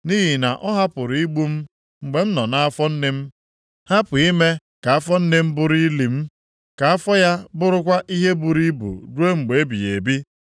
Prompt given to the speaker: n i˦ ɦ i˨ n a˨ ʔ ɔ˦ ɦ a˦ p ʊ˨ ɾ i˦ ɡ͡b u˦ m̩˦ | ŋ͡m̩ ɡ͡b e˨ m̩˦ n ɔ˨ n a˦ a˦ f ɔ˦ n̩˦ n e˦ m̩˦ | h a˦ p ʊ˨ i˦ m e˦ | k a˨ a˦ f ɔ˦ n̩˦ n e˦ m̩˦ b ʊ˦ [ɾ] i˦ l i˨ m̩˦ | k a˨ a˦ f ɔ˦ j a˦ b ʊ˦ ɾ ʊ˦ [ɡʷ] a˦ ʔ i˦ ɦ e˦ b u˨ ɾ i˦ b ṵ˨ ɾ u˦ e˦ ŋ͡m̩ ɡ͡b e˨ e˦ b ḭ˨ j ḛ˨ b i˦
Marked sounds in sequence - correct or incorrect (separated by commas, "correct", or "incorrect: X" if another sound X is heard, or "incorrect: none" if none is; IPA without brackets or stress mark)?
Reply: correct, incorrect: kʷ